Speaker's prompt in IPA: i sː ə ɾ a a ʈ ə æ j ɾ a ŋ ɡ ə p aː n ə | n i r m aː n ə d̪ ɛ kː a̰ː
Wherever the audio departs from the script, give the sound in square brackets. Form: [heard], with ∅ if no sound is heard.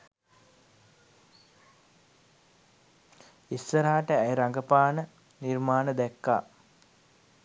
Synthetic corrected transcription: i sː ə ɾ a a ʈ ə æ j ɾ a ŋ ɡ ə p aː n ə | n i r m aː n ə d̪ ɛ kː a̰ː